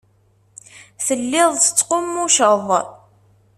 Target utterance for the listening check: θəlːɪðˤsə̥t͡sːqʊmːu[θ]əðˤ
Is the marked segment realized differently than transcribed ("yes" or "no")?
yes